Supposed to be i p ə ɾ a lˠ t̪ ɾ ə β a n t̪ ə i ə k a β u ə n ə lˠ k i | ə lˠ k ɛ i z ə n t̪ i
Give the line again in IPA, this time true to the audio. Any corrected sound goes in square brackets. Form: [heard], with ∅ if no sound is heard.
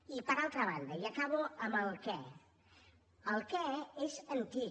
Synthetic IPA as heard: i p ə ɾ a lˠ t̪ ɾ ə β a n [d̪] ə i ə k a β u ə [m] ə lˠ k [ɛ] | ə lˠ k ɛ [e] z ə n t̪ i